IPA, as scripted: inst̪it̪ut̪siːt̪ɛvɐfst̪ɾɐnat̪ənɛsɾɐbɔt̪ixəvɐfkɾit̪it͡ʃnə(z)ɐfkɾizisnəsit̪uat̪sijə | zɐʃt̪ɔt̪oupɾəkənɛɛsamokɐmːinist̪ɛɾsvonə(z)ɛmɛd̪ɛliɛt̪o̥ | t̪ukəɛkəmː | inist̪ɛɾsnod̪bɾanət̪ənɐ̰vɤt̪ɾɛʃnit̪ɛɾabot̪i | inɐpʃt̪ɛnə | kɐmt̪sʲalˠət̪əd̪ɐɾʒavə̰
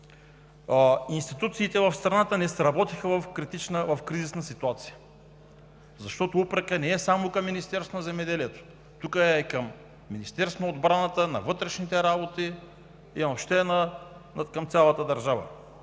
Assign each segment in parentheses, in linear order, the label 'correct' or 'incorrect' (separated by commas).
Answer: incorrect, correct